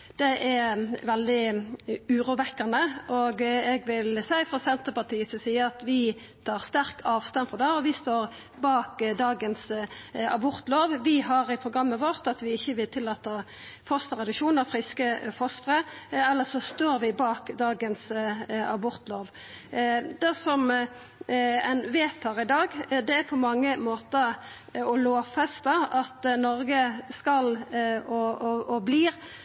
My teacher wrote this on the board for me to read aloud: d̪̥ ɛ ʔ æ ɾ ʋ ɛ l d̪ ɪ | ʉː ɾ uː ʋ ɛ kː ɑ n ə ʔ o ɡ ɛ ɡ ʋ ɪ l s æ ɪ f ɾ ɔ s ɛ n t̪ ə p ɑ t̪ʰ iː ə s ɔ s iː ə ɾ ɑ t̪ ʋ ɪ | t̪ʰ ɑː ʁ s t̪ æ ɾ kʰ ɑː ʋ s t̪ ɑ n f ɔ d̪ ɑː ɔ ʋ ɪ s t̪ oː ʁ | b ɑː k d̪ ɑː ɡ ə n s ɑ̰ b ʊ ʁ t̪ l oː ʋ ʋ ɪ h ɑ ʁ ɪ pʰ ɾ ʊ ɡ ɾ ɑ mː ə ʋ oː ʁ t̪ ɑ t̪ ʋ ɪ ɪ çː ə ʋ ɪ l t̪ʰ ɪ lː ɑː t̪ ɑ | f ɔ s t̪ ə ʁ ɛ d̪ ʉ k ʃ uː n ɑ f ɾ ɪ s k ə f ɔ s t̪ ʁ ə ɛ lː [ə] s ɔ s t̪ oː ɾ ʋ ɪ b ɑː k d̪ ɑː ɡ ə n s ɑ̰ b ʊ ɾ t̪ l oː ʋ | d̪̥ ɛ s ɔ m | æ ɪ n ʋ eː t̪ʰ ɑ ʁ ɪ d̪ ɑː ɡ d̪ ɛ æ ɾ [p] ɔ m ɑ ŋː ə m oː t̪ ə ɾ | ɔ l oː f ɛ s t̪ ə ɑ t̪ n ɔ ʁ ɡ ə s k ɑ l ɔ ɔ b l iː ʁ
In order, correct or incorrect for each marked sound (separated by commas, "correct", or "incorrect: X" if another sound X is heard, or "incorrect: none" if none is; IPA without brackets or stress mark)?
correct, incorrect: pʰ